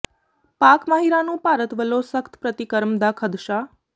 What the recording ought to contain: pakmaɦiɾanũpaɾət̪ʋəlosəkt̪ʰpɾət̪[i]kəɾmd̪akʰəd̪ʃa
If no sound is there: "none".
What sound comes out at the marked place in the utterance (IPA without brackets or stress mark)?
i